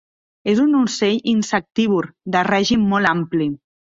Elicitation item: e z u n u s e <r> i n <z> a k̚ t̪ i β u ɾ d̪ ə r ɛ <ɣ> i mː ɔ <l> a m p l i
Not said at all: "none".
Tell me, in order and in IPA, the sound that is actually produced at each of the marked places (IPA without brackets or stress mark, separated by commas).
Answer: ʎ, s, ʒ, l